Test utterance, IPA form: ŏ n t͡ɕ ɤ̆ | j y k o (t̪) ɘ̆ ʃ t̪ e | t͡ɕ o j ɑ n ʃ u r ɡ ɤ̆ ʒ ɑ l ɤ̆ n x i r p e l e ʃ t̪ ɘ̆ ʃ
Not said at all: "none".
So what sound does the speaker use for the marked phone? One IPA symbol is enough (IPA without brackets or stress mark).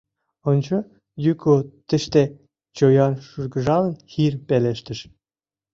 t̪